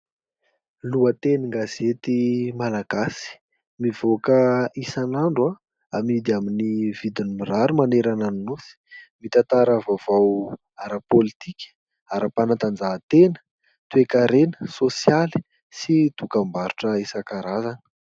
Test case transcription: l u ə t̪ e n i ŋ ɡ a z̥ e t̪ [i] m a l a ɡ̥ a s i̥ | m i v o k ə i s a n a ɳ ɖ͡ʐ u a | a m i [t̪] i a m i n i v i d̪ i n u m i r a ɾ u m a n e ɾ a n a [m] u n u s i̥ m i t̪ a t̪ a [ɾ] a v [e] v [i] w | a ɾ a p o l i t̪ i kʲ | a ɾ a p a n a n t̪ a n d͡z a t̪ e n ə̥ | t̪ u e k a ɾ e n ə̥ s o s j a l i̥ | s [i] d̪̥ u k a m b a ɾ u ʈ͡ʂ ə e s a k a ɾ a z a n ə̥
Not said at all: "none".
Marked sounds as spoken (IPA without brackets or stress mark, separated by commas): i, d̪, n, ɾ, a, a, i